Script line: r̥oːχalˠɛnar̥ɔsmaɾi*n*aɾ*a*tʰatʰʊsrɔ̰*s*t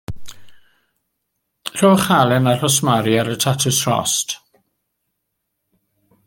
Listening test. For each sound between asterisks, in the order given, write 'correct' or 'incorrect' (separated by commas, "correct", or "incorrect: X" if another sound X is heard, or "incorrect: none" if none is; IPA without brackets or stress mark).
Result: incorrect: none, incorrect: ə, correct